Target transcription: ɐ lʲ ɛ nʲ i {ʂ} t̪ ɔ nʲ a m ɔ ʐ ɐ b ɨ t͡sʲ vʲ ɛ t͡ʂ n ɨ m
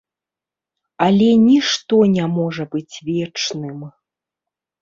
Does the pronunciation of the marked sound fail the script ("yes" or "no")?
no